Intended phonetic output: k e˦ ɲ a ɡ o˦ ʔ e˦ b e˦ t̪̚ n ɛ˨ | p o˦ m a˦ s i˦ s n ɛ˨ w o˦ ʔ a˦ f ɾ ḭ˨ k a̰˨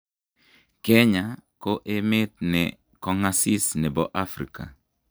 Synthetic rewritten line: k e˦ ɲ a k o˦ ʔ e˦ m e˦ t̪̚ n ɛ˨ | k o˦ ŋ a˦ s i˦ s n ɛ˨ b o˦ ʔ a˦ f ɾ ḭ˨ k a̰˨